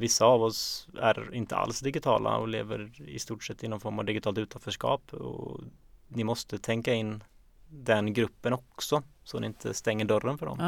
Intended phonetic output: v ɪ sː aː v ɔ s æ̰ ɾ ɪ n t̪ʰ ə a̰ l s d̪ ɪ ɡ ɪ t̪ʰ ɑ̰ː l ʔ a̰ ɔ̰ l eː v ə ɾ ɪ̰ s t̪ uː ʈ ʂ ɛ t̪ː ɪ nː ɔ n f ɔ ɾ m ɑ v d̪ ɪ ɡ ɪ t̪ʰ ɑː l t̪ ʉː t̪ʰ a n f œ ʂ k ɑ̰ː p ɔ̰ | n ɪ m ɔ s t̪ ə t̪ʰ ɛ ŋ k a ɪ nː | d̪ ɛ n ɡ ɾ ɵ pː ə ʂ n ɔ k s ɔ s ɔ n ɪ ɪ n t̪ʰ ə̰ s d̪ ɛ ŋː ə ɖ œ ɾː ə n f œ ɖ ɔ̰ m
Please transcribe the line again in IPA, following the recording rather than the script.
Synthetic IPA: v ɪ sː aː v ɔ s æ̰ ɾ ɪ n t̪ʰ ə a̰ l s d̪ ɪ ɡ ɪ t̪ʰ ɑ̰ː l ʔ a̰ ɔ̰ l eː v ə ɾ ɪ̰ s t̪ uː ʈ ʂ ɛ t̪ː ɪ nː ɔ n f ɔ ɾ m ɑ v d̪ ɪ ɡ ɪ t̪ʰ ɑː l t̪ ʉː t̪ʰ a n f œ ʂ k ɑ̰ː p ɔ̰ | n ɪ m ɔ s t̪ ə t̪ʰ ɛ ŋ k a ɪ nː | d̪ ɛ n ɡ ɾ ɵ pː ə n ɔ k s ɔ s ɔ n ɪ ɪ n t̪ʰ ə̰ s t̪ ɛ ŋː ə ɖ œ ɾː ə n f œ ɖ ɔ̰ m